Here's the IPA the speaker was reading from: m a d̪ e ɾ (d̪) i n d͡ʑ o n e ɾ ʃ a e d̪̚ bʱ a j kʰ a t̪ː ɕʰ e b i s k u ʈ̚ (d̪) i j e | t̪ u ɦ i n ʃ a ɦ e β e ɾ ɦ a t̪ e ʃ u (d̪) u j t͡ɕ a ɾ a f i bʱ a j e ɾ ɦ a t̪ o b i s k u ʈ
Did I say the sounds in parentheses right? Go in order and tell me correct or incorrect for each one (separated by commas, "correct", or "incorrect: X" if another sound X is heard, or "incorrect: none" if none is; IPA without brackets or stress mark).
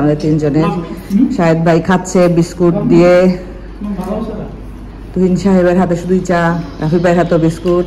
incorrect: t̪, correct, correct